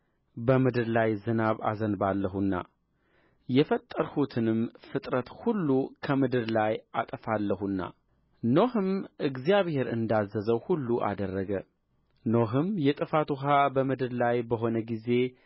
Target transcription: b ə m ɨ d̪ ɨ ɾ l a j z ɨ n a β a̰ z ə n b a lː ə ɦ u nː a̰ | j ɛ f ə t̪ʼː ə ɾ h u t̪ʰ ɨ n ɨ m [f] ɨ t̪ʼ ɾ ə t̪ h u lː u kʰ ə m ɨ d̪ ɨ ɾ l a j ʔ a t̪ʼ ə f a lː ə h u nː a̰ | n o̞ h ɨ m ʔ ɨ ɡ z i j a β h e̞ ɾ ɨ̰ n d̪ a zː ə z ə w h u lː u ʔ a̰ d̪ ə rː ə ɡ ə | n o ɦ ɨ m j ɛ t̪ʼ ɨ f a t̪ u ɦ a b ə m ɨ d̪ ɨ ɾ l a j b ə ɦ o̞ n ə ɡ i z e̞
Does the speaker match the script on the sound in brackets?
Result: yes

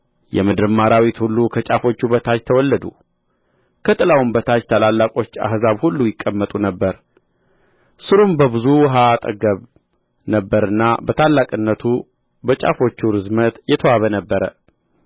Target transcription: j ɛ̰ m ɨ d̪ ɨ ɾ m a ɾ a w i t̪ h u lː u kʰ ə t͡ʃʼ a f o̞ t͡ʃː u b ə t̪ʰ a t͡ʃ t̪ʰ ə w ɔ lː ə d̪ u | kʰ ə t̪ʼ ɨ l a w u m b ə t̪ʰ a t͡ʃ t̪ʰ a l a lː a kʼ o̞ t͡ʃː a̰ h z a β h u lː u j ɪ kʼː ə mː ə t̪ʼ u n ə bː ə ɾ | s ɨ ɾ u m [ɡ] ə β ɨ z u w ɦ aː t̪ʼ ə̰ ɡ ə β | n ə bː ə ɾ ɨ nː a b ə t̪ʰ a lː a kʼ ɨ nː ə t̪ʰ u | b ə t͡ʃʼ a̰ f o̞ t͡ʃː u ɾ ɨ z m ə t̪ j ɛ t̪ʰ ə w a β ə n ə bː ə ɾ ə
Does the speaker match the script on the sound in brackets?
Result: no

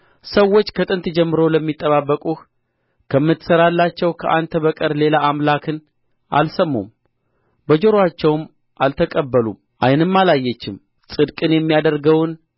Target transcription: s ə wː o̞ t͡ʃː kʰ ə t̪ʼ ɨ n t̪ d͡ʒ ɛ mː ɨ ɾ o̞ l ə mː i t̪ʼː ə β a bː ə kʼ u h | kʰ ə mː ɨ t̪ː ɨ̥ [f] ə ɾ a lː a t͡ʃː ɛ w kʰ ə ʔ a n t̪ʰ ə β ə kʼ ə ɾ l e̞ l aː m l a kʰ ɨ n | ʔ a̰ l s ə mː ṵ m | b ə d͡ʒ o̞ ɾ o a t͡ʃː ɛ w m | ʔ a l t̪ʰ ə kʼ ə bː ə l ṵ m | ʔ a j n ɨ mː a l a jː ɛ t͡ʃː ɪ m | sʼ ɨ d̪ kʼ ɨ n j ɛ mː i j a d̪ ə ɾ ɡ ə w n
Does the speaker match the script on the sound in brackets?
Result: no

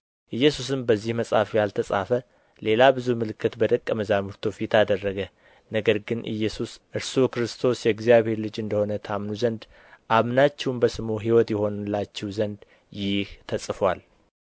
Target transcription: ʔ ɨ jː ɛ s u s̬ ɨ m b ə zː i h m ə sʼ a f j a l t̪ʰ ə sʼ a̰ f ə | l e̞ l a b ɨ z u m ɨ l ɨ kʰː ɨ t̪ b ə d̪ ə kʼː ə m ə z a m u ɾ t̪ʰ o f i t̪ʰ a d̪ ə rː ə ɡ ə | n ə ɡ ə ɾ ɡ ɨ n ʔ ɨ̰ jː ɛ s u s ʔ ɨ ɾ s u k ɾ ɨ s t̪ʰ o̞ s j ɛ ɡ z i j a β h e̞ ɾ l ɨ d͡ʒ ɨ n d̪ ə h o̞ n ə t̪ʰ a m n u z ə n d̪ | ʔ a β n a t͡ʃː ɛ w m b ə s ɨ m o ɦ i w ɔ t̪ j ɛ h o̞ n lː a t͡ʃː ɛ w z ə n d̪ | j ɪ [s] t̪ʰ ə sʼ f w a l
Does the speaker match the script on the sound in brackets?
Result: no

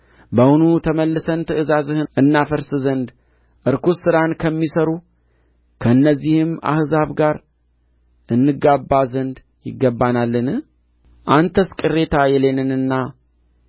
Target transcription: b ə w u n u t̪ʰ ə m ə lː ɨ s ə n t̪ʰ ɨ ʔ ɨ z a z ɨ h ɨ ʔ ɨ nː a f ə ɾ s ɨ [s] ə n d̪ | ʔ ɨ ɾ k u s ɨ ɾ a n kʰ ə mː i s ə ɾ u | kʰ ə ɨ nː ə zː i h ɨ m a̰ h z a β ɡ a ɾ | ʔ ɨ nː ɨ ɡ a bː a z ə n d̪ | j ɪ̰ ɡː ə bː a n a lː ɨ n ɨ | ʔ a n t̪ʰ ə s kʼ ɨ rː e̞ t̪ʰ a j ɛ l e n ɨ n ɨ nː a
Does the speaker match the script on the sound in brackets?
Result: no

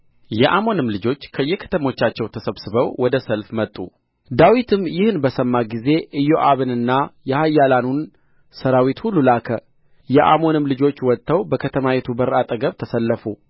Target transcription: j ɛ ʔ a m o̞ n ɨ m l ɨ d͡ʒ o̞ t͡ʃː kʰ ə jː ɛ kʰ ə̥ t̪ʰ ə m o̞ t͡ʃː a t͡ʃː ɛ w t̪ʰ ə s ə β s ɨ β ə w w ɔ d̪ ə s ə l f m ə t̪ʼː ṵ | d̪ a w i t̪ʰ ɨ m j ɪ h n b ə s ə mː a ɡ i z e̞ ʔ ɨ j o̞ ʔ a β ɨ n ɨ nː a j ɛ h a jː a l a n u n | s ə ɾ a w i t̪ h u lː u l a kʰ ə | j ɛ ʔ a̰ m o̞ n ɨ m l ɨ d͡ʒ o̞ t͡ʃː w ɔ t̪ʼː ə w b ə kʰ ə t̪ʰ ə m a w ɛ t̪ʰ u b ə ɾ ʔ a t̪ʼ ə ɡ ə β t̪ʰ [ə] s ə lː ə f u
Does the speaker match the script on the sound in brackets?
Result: yes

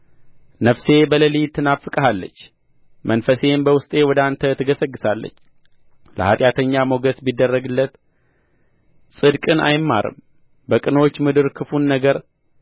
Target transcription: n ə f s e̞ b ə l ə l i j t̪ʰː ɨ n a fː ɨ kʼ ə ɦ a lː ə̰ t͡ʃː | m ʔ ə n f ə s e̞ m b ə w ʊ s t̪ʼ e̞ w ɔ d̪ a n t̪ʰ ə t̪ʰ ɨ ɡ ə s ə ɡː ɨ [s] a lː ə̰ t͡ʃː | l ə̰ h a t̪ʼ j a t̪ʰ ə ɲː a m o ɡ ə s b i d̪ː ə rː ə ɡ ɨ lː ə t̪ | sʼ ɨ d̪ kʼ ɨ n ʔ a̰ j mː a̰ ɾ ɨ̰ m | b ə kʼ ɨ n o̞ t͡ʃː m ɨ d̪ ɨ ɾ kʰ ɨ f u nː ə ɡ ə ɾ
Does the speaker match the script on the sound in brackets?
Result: yes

